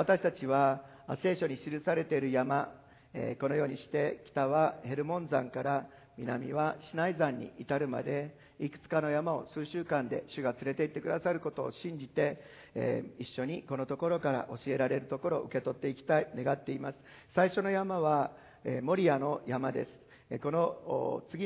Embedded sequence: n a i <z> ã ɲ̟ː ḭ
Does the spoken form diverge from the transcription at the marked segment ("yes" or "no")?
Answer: no